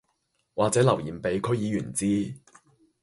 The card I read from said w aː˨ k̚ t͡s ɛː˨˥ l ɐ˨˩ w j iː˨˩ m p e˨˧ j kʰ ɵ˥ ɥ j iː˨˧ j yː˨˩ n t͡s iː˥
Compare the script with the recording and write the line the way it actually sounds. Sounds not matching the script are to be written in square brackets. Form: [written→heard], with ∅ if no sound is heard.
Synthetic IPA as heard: w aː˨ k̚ t͡s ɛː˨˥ l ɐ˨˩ w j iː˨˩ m p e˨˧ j kʰ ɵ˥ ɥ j iː˨˧ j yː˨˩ n t͡s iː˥